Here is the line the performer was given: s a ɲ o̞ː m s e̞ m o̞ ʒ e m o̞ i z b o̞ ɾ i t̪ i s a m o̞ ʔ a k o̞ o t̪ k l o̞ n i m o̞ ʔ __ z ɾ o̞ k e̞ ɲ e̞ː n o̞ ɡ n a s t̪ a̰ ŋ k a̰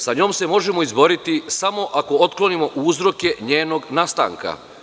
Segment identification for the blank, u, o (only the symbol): u